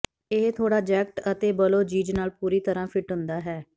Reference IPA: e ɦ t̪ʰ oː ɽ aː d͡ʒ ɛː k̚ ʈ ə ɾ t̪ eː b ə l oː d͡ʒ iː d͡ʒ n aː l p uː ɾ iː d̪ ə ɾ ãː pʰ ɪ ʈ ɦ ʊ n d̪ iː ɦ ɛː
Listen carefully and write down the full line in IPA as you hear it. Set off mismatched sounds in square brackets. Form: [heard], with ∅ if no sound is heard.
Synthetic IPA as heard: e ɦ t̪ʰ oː ɽ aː d͡ʒ ɛː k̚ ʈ ə [∅] t̪ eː b ə l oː d͡ʒ iː d͡ʒ n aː l p uː ɾ iː [t̪] ə ɾ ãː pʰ ɪ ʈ ɦ ʊ n d̪ [aː] ɦ ɛː